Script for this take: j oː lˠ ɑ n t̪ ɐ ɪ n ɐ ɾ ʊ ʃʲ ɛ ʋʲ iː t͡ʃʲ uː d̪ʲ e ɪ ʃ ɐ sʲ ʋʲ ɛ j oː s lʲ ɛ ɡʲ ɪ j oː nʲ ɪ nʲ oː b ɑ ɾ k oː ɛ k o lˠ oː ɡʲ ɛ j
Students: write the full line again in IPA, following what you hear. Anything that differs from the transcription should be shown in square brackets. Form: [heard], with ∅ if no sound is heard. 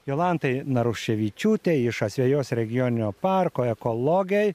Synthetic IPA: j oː lˠ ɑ n t̪ ɐ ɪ n ɐ ɾ ʊ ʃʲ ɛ ʋʲ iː t͡ʃʲ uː [t̪ʲ] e ɪ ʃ ɐ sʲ ʋʲ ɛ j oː s [ɾʲ] ɛ ɡʲ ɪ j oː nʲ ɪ nʲ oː [p] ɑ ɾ k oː ɛ k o lˠ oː ɡʲ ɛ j